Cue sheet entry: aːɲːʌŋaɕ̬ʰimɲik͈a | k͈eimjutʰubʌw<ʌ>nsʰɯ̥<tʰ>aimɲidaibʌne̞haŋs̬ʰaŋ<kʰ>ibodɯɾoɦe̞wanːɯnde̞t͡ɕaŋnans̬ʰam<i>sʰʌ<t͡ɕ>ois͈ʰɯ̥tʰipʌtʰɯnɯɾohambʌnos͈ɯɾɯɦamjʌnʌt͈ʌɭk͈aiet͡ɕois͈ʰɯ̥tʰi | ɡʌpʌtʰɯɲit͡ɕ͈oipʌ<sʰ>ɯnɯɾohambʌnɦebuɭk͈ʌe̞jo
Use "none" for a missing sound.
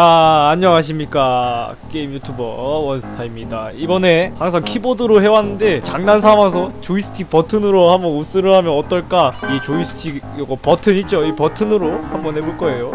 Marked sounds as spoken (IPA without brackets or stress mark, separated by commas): ʌ, tʰ, kʰ, a, t͡ɕ, tʰ